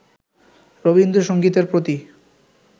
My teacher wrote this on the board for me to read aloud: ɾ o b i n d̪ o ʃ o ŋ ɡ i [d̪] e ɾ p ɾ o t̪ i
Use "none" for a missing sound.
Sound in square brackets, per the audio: t̪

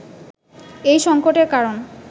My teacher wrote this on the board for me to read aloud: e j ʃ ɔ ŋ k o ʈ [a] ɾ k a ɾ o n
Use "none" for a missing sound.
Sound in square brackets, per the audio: e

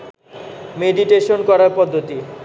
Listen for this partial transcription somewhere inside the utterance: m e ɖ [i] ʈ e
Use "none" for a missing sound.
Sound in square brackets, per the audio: i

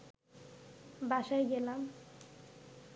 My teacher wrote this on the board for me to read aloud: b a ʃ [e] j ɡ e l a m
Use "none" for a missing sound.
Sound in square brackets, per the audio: a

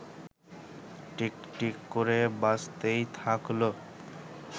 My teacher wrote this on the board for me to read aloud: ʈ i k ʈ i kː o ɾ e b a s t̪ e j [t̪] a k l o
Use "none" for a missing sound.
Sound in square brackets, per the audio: t̪ʰ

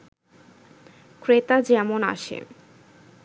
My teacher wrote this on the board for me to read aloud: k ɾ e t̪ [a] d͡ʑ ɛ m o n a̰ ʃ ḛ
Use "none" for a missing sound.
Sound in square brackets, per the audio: a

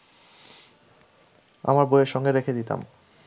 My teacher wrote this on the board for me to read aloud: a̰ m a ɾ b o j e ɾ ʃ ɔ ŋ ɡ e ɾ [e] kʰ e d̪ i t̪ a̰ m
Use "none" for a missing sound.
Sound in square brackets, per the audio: e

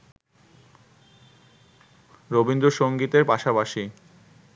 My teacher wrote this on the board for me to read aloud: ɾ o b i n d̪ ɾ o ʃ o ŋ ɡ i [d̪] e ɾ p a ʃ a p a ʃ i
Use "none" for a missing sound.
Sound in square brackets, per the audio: t̪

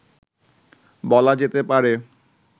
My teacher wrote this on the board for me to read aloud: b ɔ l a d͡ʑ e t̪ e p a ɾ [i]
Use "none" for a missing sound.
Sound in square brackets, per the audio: e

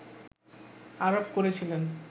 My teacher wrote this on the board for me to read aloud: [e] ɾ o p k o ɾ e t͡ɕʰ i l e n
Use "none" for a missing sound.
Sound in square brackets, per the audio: a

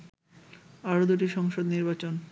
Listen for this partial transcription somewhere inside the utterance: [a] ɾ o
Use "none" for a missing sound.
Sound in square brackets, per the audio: a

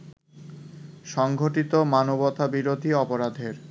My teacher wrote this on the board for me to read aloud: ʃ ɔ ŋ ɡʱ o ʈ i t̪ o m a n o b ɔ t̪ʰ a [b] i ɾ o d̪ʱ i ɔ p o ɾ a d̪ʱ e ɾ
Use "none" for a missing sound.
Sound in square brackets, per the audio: b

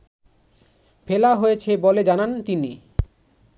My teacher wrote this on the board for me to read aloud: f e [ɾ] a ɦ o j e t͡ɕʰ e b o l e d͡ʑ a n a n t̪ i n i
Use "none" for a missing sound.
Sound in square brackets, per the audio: l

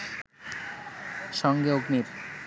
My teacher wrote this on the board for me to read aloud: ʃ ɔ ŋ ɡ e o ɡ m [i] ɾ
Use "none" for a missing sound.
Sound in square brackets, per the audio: i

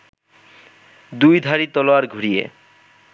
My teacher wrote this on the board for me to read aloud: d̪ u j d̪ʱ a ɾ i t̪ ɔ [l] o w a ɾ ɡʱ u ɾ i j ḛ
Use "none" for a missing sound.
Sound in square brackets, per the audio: l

